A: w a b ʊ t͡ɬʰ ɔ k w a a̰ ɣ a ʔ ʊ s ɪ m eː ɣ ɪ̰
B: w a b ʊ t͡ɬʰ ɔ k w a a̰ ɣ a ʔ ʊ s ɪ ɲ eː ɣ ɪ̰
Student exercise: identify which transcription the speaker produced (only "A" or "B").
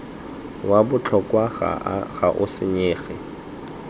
B